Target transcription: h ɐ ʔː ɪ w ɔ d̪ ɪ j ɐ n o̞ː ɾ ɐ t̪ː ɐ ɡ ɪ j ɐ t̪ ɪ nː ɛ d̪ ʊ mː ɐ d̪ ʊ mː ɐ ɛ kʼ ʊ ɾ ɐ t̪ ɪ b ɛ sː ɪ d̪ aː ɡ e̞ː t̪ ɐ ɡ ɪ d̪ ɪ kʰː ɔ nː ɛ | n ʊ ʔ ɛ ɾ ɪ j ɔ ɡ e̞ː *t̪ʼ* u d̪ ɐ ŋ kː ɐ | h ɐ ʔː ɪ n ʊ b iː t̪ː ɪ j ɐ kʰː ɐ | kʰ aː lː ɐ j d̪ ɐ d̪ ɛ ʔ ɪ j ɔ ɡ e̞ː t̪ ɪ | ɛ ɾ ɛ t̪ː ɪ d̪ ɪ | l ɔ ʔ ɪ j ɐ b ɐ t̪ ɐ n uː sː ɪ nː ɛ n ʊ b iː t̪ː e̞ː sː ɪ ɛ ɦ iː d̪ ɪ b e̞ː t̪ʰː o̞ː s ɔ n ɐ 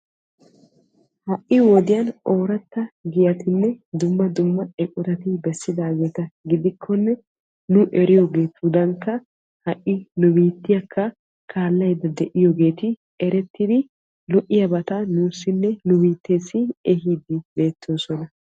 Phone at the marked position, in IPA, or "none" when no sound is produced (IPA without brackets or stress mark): t̪